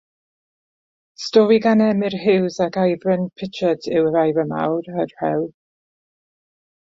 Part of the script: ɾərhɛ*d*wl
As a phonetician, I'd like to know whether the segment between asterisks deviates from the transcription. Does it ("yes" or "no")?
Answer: yes